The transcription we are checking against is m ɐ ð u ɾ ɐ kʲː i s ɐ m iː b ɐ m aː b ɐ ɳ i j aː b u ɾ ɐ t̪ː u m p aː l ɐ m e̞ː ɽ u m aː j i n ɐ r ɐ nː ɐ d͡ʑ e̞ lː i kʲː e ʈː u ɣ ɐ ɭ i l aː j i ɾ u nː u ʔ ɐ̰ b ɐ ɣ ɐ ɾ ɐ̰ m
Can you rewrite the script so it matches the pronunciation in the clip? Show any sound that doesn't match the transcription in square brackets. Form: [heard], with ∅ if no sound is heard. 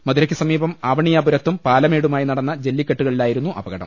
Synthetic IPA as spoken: m ɐ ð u ɾ ɐ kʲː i s ɐ m iː b ɐ m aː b ɐ ɳ i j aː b u ɾ ɐ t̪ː u m p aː l ɐ m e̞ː ɽ u m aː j i n ɐ [ɽ] ɐ nː ɐ d͡ʑ e̞ lː i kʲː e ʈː u ɣ ɐ ɭ i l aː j i ɾ u nː u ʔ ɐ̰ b ɐ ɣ ɐ [ɽ] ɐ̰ m